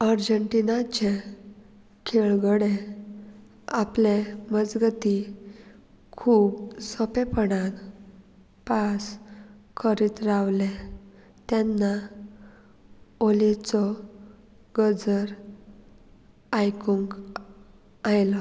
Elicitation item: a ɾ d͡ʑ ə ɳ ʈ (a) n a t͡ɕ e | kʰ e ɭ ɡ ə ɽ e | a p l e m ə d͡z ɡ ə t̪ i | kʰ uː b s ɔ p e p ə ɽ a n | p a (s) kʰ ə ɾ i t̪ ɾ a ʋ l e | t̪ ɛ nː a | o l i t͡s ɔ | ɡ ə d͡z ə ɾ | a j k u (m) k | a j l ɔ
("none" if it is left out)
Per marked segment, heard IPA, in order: i, s, ŋ

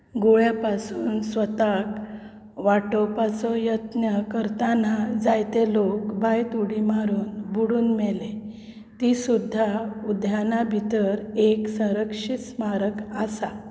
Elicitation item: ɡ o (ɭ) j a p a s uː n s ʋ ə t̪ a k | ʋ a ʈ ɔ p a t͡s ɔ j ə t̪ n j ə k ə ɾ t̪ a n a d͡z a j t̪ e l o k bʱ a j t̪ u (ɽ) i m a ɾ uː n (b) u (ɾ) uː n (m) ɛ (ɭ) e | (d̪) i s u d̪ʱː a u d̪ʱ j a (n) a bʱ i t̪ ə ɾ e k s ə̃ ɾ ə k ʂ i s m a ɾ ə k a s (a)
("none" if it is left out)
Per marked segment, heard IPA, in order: ɭ, ɽ, b, ɽ, m, l, t̪, n, a

